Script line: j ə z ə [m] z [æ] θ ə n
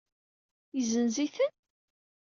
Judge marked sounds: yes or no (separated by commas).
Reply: no, no